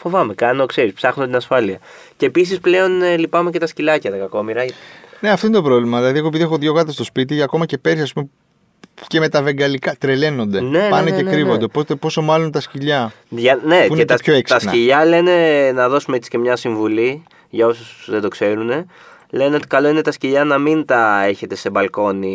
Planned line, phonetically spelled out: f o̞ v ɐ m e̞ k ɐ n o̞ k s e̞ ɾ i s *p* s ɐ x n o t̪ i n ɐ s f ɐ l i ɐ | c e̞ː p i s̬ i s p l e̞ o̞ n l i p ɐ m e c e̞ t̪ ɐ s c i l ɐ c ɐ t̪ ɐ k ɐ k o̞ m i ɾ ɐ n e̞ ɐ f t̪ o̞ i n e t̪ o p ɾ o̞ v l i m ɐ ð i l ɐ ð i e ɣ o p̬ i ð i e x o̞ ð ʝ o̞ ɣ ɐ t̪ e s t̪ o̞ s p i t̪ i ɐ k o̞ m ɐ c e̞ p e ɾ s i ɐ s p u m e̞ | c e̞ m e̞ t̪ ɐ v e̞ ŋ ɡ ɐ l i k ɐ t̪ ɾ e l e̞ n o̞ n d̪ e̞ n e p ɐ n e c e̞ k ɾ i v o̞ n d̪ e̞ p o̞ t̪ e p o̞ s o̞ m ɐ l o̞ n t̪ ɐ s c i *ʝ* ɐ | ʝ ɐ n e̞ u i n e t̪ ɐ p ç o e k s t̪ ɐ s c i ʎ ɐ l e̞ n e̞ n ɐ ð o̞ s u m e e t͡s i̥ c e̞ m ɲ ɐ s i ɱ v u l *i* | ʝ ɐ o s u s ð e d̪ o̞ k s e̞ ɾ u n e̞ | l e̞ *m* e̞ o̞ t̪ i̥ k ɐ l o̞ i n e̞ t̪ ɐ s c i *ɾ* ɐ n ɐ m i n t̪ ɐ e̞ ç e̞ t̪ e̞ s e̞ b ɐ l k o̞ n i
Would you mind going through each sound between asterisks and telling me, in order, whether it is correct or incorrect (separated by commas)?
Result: correct, incorrect, correct, incorrect, incorrect